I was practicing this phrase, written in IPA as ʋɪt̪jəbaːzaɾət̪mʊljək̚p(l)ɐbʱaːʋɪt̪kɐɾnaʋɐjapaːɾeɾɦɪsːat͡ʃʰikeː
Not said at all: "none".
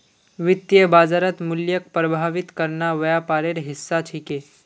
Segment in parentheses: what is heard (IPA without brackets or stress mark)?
ɾ